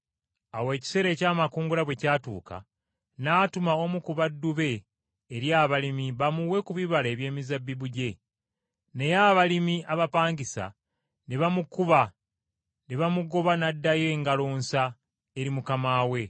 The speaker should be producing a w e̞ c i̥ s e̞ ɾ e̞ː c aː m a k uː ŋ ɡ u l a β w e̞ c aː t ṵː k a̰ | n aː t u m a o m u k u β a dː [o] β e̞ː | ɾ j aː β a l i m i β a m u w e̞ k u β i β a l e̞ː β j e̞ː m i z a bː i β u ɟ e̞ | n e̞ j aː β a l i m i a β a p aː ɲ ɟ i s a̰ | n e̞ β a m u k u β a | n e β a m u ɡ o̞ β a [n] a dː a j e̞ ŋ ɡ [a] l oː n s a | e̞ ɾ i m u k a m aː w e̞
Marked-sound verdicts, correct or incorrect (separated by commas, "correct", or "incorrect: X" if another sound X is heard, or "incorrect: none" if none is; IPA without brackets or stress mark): incorrect: u, correct, correct